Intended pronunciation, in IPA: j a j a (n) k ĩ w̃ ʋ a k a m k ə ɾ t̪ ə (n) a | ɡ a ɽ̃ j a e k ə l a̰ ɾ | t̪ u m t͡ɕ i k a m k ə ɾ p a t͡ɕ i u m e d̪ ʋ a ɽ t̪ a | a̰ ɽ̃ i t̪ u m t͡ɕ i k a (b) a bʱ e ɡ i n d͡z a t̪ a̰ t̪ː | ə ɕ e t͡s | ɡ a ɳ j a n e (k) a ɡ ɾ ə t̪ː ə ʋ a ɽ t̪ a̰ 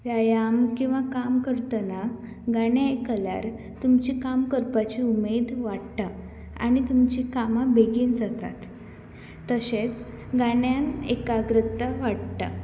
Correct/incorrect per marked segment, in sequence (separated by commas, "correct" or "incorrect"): incorrect, correct, incorrect, correct